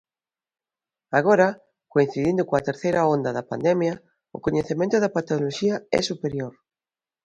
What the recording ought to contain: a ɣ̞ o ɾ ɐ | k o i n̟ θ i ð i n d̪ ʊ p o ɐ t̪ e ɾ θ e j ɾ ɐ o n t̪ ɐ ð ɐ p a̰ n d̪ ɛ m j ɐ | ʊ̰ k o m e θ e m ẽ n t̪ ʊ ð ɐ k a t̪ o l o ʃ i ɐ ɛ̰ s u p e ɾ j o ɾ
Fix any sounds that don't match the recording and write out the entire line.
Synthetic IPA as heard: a ɣ̞ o ɾ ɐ | k o i n̟ θ i ð i n d̪ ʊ k o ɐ t̪ e ɾ θ e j ɾ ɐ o n d̪ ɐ ð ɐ p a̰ n d̪ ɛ m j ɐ | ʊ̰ k o ɲ e θ e m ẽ n t̪ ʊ ð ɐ p a t̪ o l o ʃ i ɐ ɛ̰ s u p e ɾ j o ɾ